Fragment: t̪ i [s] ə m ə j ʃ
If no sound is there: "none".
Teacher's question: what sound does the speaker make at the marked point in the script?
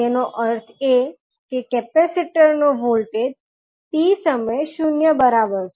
s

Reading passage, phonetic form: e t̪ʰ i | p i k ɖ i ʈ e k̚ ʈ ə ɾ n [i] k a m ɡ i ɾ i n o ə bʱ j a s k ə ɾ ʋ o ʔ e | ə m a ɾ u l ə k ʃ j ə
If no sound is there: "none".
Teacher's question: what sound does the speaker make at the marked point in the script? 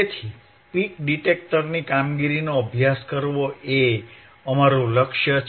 i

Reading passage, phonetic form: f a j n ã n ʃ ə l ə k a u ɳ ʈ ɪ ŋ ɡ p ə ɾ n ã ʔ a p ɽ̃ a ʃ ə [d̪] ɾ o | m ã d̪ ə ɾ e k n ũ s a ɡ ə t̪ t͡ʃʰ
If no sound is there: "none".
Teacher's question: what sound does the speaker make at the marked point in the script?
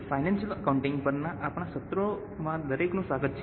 t̪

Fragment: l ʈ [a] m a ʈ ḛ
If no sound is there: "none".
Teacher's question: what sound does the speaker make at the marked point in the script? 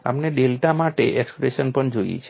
a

